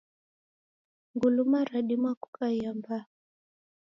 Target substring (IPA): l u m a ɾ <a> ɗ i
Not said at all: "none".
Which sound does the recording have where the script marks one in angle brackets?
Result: a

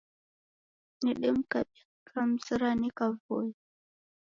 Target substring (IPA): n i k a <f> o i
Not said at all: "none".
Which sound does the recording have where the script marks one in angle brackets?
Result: v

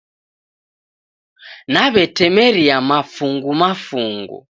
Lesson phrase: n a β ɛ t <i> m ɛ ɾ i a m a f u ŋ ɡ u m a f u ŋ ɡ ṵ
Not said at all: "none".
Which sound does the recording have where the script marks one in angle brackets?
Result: ɛ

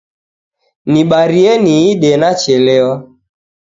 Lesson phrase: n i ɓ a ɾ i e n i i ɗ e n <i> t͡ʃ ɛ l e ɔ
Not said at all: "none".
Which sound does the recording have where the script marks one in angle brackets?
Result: a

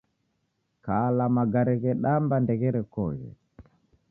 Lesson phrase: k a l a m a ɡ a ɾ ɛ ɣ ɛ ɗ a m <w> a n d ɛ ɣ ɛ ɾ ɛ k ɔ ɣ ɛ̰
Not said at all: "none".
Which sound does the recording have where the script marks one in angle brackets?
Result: b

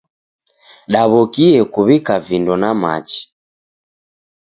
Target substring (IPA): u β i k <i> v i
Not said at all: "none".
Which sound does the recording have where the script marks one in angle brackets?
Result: a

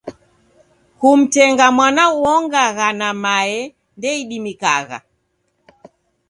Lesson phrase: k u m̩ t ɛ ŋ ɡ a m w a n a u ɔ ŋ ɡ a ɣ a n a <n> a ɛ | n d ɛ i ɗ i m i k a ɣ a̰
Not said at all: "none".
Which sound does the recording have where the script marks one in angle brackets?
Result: m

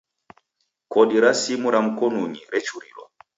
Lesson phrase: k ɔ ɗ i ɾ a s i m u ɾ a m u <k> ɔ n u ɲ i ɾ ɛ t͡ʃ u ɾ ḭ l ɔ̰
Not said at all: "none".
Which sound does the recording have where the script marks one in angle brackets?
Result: k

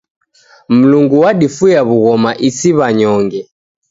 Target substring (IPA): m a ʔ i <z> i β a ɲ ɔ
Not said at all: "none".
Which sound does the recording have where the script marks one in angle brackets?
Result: s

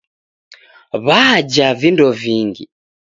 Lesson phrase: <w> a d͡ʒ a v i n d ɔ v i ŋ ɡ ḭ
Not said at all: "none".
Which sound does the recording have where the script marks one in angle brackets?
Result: β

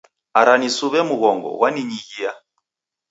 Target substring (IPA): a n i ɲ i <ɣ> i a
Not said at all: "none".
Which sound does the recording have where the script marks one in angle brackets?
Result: ɣ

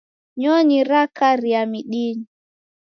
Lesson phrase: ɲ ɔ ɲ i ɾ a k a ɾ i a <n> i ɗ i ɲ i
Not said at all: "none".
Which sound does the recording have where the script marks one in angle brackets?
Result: m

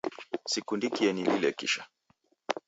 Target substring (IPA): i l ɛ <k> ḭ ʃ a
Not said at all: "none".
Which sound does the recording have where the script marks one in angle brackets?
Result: k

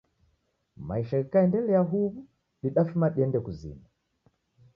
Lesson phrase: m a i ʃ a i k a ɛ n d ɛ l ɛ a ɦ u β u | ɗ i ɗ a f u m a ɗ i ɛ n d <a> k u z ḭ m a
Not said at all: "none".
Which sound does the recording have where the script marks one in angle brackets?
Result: ɛ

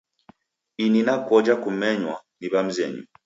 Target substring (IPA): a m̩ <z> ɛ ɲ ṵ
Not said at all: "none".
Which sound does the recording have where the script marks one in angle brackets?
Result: z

